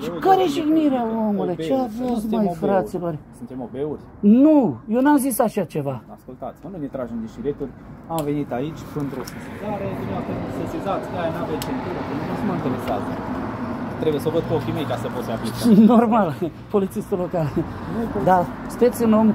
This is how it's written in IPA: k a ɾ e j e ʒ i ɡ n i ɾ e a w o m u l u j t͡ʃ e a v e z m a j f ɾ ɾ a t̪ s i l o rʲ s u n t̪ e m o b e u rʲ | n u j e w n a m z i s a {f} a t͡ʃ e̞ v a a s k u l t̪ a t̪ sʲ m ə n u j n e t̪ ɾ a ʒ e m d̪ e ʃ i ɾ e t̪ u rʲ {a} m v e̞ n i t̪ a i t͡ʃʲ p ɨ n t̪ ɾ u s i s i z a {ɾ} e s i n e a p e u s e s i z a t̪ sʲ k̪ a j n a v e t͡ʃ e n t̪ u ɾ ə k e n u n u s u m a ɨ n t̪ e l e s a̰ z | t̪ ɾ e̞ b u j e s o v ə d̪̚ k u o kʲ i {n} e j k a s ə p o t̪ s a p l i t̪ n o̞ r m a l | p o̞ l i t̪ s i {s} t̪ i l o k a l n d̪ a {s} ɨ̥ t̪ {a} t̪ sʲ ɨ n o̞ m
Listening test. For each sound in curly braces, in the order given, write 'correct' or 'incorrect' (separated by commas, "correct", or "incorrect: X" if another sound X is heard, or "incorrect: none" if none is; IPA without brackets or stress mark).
incorrect: ʃ, correct, correct, incorrect: m, correct, correct, incorrect: e